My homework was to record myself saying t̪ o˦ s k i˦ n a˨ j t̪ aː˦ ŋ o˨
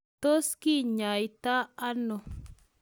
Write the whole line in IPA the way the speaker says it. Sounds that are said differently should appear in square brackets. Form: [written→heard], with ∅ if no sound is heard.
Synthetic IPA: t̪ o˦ s k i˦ [n→ɲ] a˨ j t̪ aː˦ [ŋ→n] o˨